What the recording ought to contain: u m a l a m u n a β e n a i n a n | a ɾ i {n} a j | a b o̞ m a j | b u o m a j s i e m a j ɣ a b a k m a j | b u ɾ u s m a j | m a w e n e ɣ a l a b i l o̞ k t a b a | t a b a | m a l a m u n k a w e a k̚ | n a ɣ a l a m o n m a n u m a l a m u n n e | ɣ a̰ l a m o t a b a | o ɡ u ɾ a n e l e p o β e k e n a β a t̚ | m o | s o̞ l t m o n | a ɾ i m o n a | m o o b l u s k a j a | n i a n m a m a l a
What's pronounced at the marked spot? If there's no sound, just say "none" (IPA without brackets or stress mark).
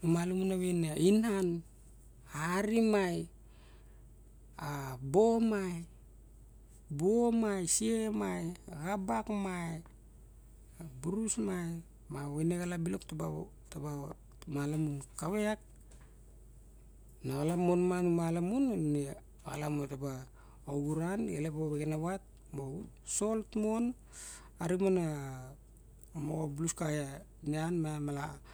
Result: m